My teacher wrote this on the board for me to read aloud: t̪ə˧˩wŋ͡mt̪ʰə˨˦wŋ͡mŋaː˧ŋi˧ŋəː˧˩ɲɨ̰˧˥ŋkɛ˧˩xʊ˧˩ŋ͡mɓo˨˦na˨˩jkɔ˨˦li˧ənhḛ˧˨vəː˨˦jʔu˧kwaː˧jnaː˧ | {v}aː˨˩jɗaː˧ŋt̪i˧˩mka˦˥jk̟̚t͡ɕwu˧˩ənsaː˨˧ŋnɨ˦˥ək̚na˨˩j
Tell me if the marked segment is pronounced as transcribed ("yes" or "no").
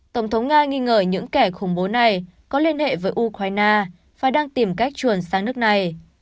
no